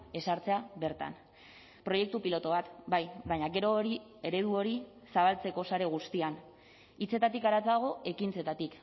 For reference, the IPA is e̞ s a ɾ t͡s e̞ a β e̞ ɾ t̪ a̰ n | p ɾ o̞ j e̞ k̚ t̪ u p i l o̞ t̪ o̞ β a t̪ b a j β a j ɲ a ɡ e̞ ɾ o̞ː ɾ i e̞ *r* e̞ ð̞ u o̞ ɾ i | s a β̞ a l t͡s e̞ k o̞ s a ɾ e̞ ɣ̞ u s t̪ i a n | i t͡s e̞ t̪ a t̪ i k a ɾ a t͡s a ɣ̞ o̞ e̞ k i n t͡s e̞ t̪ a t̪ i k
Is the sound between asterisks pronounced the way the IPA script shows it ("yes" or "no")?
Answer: no